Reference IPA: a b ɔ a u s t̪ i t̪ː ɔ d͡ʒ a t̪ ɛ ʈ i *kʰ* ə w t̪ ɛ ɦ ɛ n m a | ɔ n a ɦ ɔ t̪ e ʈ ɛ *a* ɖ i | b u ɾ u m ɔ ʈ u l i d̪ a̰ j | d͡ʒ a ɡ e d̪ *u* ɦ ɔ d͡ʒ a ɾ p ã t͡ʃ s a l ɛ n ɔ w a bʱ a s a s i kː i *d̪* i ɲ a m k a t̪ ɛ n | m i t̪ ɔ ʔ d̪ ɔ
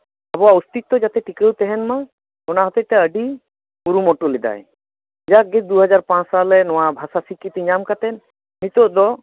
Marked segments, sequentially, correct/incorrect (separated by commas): incorrect, incorrect, correct, incorrect